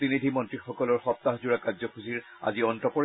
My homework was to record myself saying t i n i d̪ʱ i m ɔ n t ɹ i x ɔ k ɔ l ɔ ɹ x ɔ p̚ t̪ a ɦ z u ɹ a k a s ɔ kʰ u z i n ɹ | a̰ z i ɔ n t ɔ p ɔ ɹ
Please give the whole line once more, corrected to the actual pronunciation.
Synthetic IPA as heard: t i n i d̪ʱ i m ɔ n t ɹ i x ɔ k ɔ l ɔ ɹ x ɔ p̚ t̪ a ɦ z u ɹ a k a z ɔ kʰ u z i ɹ | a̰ z i ɔ n t ɔ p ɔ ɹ